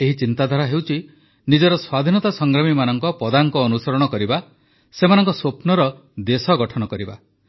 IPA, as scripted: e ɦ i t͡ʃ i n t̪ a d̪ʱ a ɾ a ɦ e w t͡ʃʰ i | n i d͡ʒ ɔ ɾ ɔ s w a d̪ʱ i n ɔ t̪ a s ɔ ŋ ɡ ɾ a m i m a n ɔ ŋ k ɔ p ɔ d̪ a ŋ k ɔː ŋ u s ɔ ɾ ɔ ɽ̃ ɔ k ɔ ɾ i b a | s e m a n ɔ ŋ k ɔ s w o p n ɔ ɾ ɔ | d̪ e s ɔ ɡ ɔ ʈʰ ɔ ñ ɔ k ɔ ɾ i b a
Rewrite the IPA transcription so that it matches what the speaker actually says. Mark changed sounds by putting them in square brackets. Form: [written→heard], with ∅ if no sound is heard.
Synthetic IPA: e ɦ i t͡ʃ i n t̪ a d̪ʱ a ɾ a ɦ e w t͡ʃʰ i | n i d͡ʒ ɔ ɾ ɔ s w a d̪ʱ i n ɔ t̪ a s ɔ ŋ ɡ ɾ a m i m a n ɔ ŋ k ɔ p ɔ d̪ a ŋ k ɔː [ŋ→n] u s ɔ ɾ ɔ ɽ̃ ɔ k ɔ ɾ i b a | s e m a n ɔ ŋ k ɔ s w o p n ɔ ɾ ɔ | d̪ e s ɔ ɡ ɔ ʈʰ ɔ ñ ɔ k ɔ ɾ i b a